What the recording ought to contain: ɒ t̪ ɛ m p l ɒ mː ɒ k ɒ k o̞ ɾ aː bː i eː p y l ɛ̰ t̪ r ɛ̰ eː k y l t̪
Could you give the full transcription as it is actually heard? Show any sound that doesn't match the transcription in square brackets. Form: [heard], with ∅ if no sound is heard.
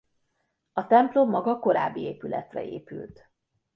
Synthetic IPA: ɒ t̪ ɛ m p l [o] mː ɒ [ɡ] ɒ k o̞ ɾ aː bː i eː p y l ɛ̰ t̪ r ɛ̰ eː [p] y l t̪